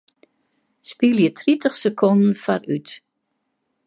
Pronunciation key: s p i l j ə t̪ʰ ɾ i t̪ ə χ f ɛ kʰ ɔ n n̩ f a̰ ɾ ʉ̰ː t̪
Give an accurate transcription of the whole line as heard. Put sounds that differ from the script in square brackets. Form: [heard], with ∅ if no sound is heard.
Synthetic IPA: s p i l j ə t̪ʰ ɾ i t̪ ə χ [s] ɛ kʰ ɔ n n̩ f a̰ ɾ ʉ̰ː t̪